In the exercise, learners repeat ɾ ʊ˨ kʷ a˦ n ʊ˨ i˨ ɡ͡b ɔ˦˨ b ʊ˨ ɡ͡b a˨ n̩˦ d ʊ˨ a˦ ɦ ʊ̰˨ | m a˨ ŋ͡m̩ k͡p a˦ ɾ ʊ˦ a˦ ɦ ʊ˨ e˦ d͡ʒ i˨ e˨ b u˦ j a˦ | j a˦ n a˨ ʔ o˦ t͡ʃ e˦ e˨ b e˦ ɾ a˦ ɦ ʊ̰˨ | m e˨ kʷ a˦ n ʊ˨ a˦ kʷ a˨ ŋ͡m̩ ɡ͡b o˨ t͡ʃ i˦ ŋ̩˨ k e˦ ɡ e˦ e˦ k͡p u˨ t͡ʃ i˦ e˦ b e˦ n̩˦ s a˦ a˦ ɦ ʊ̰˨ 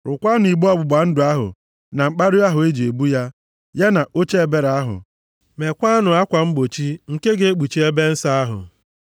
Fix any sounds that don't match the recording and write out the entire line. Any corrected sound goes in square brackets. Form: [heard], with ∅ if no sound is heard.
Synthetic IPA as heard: ɾ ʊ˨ kʷ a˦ n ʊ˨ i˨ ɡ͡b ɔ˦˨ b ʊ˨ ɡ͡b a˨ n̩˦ d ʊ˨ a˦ ɦ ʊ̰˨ | [n] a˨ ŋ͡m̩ k͡p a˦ ɾ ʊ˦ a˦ ɦ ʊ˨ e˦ d͡ʒ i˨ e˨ b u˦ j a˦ | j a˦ n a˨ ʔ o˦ t͡ʃ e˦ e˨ b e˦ ɾ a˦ ɦ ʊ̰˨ | m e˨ kʷ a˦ n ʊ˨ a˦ kʷ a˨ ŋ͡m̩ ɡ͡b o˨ t͡ʃ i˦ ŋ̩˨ k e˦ ɡ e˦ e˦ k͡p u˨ t͡ʃ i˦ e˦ b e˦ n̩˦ s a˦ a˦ ɦ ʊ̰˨